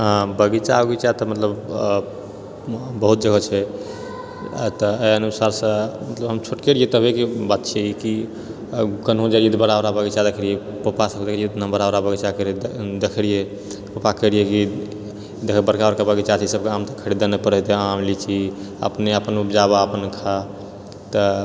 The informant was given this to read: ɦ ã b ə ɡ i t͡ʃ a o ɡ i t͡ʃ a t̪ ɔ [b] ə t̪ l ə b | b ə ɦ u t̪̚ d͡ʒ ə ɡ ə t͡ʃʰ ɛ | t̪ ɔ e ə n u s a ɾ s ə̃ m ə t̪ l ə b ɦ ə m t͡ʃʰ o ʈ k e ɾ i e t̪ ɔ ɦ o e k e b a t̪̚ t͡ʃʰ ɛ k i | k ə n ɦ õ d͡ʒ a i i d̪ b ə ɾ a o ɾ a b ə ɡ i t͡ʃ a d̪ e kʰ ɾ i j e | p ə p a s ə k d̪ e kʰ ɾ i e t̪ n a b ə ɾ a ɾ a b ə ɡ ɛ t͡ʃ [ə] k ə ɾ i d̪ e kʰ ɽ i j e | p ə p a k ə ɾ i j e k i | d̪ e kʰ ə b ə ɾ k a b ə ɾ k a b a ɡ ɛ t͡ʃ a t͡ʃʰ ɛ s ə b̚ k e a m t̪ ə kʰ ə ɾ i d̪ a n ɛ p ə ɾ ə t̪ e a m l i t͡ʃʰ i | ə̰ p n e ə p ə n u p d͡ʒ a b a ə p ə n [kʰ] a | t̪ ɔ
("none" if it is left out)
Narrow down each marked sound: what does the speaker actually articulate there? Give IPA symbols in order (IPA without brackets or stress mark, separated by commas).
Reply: m, a, kʰ